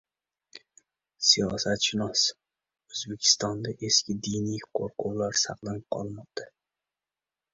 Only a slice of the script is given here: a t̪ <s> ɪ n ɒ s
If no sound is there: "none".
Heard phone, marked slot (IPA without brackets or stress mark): ʃ